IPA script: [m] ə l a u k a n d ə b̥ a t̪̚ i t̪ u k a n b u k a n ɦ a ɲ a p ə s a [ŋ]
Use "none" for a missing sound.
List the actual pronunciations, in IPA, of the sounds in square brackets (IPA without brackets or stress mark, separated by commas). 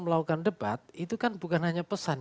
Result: m, n